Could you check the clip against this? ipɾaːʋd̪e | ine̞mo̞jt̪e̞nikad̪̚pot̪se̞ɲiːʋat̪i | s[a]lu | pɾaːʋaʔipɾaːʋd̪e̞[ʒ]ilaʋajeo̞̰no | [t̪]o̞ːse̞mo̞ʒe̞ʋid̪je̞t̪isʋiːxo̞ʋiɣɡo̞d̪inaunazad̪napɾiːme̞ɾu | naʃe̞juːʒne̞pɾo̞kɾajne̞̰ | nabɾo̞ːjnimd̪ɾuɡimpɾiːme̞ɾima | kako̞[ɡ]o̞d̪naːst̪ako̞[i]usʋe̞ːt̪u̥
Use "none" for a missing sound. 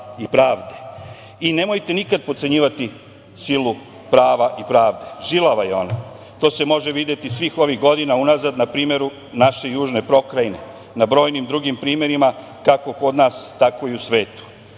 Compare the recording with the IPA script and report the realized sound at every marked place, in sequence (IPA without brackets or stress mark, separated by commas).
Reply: i, ʒ, t̪, k, i